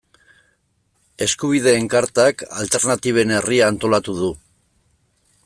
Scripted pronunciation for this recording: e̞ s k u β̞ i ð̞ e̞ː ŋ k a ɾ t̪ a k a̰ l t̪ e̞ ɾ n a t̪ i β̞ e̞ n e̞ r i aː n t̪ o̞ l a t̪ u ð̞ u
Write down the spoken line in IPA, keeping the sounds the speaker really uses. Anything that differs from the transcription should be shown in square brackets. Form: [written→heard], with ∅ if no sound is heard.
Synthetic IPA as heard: e̞ s k u β̞ i ð̞ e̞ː ŋ k a ɾ t̪ a k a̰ l t̪ e̞ ɾ n a t̪ i β̞ e̞ n e̞ r i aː n t̪ o̞ l a t̪ u ð̞ u